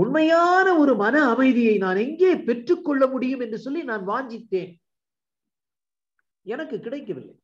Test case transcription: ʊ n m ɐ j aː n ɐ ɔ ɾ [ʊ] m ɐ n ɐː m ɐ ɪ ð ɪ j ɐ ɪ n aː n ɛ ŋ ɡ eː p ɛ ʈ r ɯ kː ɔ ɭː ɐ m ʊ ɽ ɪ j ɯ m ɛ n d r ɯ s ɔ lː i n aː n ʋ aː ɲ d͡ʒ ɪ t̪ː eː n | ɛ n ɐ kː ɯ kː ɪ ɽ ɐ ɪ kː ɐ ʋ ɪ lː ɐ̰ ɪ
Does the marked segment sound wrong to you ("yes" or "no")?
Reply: yes